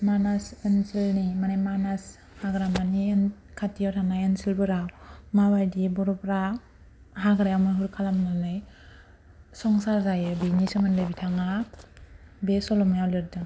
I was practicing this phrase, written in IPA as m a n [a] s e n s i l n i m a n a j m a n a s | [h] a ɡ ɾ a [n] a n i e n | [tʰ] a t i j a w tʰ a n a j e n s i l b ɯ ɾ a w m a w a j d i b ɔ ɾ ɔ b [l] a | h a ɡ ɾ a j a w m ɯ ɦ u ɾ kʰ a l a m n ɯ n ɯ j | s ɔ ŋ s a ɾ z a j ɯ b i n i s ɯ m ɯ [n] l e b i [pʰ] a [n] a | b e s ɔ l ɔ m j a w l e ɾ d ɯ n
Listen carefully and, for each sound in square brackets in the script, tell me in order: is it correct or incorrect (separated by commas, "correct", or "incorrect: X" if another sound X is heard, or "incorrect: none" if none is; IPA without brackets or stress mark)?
correct, correct, incorrect: m, incorrect: kʰ, incorrect: ɾ, correct, incorrect: tʰ, incorrect: ŋ